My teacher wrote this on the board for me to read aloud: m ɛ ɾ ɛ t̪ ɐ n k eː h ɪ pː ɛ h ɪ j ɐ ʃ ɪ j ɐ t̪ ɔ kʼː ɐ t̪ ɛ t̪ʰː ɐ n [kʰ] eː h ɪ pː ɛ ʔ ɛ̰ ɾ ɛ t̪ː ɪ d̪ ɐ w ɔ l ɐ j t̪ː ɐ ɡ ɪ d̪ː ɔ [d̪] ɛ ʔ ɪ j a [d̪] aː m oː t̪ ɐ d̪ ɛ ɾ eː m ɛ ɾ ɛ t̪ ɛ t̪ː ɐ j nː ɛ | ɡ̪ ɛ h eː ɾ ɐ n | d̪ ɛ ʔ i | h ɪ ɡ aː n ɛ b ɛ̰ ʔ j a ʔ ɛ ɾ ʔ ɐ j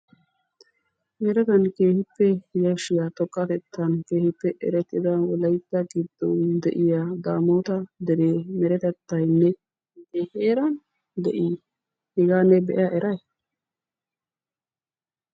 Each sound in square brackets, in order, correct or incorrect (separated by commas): incorrect, correct, correct